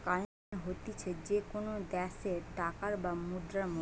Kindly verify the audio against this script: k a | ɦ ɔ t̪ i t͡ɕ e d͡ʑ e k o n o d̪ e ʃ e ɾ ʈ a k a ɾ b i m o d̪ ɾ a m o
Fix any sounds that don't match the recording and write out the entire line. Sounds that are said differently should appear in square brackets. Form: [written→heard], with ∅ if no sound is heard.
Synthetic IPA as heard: k a | ɦ [ɔ→o] t̪ i [t͡ɕ→t͡ɕʰ] e d͡ʑ e k o n o d̪ [e→ɛ] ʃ e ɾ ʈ a k a ɾ b [i→a] m [o→u] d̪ ɾ a m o

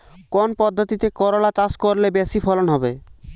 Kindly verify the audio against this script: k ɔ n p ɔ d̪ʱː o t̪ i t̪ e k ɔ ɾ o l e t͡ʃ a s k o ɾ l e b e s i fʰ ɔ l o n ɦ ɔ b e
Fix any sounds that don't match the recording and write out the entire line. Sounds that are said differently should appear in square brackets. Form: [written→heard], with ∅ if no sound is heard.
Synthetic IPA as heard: k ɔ n p ɔ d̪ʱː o t̪ i t̪ e k ɔ ɾ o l [e→a] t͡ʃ a s k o ɾ l e b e s i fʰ ɔ l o n ɦ ɔ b e

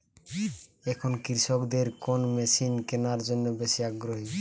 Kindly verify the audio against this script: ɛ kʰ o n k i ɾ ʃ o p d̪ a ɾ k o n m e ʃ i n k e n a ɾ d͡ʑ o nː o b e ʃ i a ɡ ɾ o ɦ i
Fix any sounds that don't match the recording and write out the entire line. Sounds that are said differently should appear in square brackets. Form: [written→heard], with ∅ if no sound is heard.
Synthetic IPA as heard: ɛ kʰ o n k i ɾ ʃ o [p→k] d̪ [a→e] ɾ k o n m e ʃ i n k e n a ɾ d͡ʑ o nː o b e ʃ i a ɡ ɾ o ɦ i

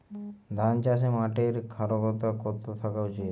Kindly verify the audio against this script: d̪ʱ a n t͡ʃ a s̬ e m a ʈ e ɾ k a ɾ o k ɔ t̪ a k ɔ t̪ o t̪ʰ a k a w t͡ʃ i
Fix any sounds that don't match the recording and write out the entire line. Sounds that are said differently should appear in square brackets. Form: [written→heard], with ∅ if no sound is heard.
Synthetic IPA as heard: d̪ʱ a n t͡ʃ a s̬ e m a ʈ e ɾ [k→kʰ] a ɾ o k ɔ t̪ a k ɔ t̪ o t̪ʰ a k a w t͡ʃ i

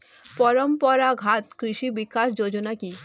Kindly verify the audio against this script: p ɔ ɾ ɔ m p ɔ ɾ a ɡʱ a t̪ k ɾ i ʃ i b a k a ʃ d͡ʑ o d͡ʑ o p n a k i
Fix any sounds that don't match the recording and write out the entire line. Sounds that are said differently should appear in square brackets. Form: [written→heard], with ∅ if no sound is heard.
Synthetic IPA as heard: p ɔ ɾ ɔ m p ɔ ɾ a ɡʱ a t̪ k ɾ i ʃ i b [a→i] k a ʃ d͡ʑ o d͡ʑ o [p→∅] n a k i

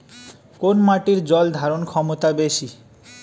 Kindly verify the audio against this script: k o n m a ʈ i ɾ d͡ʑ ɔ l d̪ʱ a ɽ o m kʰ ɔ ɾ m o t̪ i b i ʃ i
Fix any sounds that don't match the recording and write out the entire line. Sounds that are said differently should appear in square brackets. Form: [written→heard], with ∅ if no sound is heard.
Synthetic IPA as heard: k o n m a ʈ i ɾ d͡ʑ ɔ l d̪ʱ a [ɽ→ɾ] o [m→n] kʰ ɔ [ɾ→∅] m o t̪ [i→a] b [i→e] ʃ i

